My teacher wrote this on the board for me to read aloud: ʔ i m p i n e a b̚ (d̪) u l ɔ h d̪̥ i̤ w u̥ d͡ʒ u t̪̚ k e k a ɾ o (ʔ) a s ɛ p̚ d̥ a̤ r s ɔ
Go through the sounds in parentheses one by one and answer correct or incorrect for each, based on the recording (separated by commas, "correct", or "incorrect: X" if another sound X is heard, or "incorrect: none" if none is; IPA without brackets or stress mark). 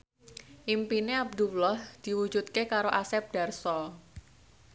correct, correct